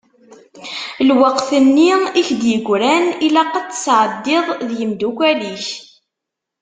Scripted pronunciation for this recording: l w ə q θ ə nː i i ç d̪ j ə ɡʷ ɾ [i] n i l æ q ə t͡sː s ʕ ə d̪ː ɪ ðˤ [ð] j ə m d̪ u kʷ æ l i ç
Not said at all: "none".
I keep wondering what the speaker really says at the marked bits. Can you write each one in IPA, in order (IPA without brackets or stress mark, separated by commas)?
æ, ð